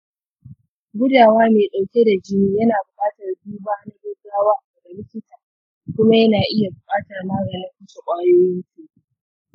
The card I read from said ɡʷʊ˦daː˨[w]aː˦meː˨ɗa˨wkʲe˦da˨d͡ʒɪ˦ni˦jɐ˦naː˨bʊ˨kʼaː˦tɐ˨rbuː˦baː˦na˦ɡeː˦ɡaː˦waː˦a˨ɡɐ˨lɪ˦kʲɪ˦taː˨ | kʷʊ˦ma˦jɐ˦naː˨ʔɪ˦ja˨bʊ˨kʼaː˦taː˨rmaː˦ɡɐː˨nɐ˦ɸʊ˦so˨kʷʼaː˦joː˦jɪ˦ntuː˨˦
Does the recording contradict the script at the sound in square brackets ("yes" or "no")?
no